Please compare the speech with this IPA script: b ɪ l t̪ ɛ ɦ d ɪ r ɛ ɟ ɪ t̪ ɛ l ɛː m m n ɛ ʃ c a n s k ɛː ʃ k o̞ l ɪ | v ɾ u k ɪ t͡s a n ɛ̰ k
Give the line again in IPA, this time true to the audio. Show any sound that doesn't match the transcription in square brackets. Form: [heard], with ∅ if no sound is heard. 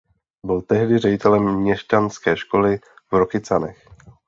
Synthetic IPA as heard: b ɪ l t̪ ɛ ɦ d ɪ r ɛ ɟ ɪ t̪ ɛ l [ɛ] m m [ɲ] ɛ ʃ c a n s k ɛː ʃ k o̞ l ɪ | v ɾ [o] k ɪ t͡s a n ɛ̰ [x]